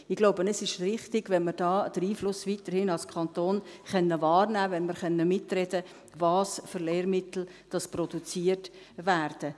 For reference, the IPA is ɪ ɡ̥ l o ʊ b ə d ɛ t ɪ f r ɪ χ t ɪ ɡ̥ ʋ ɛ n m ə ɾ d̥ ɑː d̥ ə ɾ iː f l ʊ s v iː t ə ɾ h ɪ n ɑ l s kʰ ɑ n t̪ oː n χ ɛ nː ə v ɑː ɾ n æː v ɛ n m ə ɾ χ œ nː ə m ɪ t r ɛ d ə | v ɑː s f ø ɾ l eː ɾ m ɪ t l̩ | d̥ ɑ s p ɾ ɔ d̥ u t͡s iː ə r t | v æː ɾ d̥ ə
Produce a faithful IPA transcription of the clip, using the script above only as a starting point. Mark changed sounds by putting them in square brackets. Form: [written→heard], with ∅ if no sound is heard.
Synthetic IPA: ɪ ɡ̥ l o ʊ b ə [d→n] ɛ [t→s] ɪ [f→ʃ] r ɪ χ t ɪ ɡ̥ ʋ ɛ n m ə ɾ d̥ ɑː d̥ ə ɾ iː f l ʊ s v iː t ə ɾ h ɪ n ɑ l s kʰ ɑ n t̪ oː n χ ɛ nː ə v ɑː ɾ n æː v ɛ n m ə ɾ χ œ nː ə m ɪ t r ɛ d ə | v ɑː s f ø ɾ l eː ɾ m ɪ t l̩ | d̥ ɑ s p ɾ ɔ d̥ u t͡s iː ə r t | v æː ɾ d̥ ə